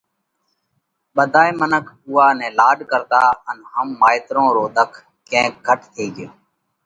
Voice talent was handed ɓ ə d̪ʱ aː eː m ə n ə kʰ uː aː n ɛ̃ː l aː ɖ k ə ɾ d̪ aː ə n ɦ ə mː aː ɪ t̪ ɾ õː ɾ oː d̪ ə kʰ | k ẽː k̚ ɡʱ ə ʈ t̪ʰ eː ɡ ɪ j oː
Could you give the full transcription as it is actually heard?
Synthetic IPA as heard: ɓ ə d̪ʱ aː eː m ə n ə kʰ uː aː n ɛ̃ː l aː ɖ k ə ɾ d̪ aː ə n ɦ ə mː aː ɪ t̪ ɾ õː ɾ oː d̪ ə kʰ | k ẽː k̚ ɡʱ ə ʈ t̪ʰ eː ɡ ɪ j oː